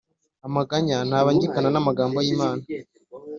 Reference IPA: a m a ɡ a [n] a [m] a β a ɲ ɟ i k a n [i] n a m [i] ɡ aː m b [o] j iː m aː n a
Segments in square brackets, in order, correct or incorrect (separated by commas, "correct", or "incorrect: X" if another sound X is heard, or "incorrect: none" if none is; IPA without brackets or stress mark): incorrect: ɲ, incorrect: n, incorrect: a, incorrect: a, correct